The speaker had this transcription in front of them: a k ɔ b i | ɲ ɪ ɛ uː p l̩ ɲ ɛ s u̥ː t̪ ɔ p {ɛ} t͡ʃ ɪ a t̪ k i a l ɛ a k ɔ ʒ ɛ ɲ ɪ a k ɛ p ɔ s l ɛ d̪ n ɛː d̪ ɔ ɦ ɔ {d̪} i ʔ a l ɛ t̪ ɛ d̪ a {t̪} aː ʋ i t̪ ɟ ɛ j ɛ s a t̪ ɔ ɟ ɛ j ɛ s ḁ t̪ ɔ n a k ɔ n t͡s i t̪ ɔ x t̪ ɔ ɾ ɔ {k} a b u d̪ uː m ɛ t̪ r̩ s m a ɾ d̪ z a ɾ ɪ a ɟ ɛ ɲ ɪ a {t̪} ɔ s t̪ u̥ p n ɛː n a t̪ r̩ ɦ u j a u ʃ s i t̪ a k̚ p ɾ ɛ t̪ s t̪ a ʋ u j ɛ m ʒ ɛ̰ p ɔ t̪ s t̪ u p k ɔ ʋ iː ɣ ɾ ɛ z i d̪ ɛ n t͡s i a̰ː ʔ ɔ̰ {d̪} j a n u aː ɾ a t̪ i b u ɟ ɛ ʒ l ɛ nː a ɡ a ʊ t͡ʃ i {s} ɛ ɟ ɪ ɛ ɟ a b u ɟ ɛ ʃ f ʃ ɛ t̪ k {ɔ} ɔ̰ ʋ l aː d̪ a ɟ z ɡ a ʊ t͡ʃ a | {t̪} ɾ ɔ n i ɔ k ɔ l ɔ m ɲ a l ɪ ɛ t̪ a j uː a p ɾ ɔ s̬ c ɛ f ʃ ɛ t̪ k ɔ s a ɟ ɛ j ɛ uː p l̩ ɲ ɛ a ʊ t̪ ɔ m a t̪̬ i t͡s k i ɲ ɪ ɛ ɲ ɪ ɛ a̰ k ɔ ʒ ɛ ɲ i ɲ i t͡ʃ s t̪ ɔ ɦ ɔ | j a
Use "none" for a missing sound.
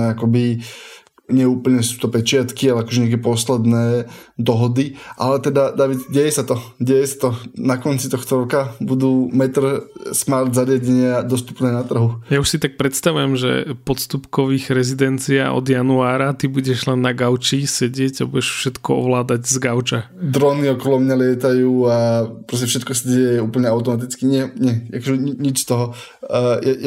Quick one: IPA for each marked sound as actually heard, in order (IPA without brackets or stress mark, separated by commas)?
ɛ, d̪, d̪, k, d̪, d̪, s, ɔ, d̪